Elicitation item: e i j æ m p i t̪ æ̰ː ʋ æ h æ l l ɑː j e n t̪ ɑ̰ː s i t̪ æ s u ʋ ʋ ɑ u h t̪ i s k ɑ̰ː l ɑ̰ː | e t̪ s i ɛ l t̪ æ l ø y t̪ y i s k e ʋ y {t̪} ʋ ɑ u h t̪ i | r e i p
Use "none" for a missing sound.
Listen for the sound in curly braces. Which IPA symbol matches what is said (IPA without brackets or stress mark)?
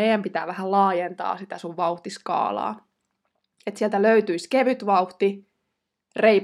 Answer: t̪